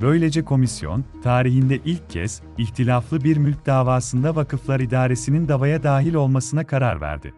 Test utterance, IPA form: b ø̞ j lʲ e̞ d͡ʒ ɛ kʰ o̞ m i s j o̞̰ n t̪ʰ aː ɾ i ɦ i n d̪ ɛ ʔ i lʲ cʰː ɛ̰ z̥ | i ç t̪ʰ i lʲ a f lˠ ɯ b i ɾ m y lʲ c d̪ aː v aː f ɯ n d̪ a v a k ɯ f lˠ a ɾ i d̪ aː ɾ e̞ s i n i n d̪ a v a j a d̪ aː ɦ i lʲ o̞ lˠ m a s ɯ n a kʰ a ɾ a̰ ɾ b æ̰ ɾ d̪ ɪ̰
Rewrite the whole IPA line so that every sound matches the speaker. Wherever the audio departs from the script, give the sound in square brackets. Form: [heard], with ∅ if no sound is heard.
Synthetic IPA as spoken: b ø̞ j lʲ e̞ d͡ʒ ɛ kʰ o̞ m i s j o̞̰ n t̪ʰ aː ɾ i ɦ i n d̪ ɛ ʔ i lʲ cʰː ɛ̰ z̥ | i ç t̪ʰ i lʲ a f lˠ ɯ b i ɾ m y lʲ c d̪ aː v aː [s] ɯ n d̪ a v a k ɯ f lˠ a ɾ i d̪ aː ɾ e̞ s i n i n d̪ a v a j a d̪ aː ɦ i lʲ o̞ lˠ m a s ɯ n a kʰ a ɾ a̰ ɾ [v] æ̰ ɾ d̪ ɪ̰

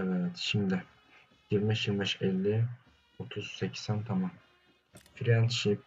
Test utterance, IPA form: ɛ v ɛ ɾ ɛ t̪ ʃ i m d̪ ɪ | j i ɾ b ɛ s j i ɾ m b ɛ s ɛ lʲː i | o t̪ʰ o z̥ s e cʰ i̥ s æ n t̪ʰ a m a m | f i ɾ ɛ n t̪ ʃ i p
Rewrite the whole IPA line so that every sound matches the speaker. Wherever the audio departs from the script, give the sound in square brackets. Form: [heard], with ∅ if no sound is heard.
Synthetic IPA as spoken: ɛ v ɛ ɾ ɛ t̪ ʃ i m d̪ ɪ | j i ɾ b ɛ [ʃ] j i ɾ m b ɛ [ʃ] ɛ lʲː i | o t̪ʰ [u] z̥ s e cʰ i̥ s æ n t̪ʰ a m a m | f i ɾ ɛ n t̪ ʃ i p

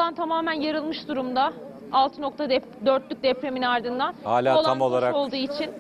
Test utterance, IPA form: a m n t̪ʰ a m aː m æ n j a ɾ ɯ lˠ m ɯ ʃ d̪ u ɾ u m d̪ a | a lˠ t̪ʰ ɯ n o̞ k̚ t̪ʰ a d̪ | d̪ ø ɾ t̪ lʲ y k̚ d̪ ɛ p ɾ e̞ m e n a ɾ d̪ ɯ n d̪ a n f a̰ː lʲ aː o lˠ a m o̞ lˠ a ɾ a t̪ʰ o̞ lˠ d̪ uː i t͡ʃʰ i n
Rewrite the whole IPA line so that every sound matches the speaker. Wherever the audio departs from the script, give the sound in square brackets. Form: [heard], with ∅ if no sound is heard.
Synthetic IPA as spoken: a [∅] n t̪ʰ a m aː m æ n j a ɾ ɯ lˠ m ɯ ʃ d̪ u ɾ u m d̪ a | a lˠ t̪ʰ ɯ n o̞ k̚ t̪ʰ a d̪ | d̪ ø ɾ t̪ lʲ y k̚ d̪ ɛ p ɾ e̞ m [i] n a ɾ d̪ ɯ n d̪ a n [h] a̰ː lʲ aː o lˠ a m o̞ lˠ a ɾ a [∅] o̞ lˠ d̪ uː i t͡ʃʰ i n

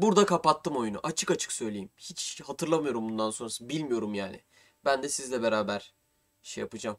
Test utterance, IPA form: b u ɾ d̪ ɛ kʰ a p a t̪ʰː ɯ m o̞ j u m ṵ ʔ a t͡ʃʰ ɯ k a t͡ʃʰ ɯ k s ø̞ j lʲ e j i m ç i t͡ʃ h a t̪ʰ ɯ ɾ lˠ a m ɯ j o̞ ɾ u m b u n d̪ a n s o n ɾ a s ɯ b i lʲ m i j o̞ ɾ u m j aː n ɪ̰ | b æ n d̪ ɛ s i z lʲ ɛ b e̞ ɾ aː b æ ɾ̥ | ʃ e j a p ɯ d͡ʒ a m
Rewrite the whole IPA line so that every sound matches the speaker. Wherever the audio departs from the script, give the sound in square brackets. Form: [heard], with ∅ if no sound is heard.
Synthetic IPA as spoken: b u ɾ d̪ [a] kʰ a p a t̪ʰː ɯ m o̞ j u [n] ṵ ʔ a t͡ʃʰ ɯ k a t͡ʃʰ ɯ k s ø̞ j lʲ e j i m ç i t͡ʃ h a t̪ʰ ɯ ɾ lˠ a m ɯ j o̞ ɾ u m b u n d̪ a n s o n ɾ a s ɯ b i lʲ m i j o̞ ɾ u m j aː n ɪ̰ | b æ n d̪ ɛ s i z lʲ ɛ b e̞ ɾ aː b æ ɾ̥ | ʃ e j a p ɯ d͡ʒ a m

